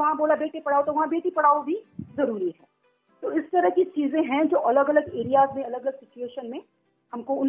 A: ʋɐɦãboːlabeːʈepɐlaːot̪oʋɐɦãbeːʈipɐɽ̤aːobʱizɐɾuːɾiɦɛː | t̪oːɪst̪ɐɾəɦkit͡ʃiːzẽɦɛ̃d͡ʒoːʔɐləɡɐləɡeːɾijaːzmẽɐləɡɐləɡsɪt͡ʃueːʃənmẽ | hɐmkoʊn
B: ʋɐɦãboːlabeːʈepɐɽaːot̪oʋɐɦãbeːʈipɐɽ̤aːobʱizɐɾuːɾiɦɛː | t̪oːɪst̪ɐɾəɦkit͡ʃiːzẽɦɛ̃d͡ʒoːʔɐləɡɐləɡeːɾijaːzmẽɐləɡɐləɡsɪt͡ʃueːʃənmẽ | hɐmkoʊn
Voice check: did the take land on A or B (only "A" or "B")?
B